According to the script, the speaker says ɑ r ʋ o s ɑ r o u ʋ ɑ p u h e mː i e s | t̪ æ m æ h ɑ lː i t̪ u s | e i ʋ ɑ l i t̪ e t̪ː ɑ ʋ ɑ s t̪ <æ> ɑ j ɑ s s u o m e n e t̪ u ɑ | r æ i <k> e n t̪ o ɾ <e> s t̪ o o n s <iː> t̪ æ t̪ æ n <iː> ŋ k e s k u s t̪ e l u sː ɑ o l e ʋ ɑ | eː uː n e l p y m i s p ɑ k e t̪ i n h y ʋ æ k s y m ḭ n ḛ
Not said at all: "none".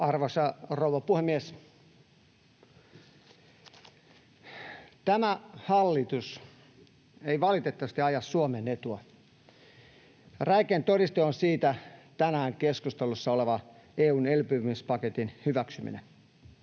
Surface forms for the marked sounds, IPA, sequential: i, k, i, iː, æː

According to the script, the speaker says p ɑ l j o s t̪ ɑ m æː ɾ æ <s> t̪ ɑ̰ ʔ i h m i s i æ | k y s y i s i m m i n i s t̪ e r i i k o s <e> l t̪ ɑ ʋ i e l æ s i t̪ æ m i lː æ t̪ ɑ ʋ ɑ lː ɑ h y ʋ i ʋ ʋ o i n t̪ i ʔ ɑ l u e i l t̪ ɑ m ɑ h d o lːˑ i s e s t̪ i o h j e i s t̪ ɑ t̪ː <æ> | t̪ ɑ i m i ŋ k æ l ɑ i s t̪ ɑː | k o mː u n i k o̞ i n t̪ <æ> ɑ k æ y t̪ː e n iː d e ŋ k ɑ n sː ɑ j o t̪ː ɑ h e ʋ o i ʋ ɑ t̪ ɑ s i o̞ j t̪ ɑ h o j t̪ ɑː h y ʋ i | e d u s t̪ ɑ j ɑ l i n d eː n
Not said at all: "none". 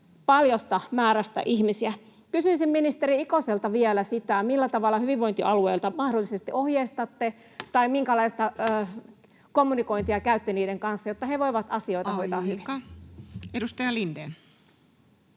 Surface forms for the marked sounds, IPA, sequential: s, e, e, i

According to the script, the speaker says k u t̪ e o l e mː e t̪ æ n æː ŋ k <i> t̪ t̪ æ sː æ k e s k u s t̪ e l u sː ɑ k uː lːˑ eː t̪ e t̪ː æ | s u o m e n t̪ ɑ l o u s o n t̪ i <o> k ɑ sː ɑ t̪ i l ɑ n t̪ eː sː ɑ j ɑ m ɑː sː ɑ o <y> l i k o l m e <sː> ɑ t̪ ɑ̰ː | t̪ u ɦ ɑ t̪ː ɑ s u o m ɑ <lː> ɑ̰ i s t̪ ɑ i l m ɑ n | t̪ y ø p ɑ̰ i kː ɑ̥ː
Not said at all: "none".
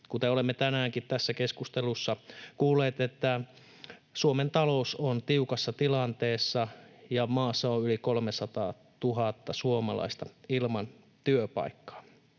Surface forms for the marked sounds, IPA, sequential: i, u, y, s, l

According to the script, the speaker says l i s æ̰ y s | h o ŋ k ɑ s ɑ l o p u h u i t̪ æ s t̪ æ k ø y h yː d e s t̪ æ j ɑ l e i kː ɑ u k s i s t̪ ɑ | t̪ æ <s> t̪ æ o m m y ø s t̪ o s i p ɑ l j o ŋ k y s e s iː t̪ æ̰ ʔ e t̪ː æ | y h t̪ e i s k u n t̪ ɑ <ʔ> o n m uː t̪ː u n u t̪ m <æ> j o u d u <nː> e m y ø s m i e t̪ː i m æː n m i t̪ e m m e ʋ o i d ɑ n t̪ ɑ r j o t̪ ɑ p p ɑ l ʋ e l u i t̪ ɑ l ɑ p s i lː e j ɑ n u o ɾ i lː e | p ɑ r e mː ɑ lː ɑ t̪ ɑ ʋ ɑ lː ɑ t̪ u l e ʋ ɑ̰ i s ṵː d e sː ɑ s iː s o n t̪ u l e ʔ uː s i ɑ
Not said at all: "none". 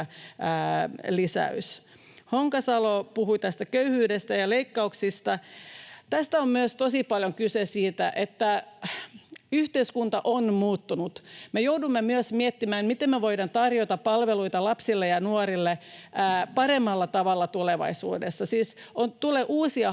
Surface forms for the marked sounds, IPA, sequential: s, ʔ, e, mː

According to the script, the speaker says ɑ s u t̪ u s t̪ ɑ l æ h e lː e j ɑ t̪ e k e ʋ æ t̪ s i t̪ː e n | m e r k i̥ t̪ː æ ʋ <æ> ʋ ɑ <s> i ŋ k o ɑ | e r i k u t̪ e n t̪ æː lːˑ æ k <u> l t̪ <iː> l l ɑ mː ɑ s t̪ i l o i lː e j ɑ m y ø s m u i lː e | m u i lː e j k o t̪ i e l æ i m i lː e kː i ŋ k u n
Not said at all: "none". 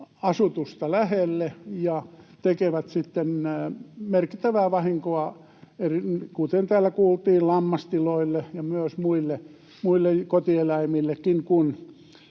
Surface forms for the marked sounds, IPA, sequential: æː, h, uː, iː

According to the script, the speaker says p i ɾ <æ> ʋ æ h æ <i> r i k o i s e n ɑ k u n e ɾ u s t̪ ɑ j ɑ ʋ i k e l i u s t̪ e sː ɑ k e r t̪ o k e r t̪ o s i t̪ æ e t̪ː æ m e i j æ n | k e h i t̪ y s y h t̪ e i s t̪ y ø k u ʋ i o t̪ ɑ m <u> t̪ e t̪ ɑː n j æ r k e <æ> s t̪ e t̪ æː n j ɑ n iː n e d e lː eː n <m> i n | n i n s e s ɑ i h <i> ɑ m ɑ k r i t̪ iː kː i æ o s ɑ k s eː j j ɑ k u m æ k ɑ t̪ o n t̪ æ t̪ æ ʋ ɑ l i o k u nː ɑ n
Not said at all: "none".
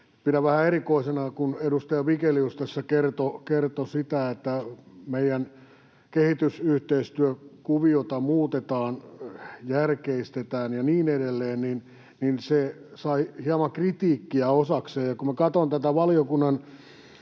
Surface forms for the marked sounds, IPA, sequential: æ, e, uː, i, n, i

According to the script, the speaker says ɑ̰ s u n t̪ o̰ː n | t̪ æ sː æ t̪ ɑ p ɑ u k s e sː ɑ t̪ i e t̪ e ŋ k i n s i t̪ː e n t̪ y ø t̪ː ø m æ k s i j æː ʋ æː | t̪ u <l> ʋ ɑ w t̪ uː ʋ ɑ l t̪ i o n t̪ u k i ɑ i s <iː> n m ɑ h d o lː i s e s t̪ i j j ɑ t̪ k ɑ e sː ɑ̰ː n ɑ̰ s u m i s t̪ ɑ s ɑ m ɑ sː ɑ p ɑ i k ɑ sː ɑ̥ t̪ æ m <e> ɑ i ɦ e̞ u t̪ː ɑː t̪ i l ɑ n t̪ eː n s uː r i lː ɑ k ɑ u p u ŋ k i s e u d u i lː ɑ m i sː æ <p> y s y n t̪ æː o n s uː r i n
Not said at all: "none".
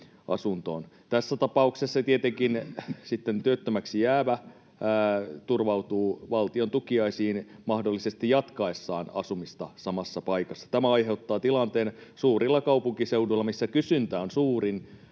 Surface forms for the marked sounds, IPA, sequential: r, iː, æ, k

